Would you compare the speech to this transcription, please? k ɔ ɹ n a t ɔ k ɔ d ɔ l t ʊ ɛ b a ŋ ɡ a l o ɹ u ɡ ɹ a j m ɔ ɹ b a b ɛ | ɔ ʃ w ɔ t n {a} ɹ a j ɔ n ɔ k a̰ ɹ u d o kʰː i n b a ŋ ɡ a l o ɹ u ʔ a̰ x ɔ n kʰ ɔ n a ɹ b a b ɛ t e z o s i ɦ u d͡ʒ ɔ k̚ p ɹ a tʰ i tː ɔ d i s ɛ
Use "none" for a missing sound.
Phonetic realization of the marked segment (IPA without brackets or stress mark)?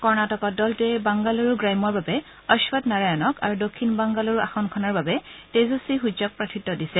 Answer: a